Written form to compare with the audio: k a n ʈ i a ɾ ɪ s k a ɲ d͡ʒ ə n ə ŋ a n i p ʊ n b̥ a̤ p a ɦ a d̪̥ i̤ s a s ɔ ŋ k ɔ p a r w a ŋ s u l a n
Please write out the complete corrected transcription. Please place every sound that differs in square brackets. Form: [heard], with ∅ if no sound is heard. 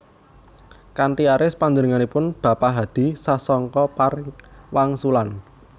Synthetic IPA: k a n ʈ i a ɾ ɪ s [p] a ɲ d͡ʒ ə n ə ŋ a n i p ʊ n b̥ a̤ p a ɦ a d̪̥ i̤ s a s ɔ ŋ k ɔ p a r w a ŋ s u l a n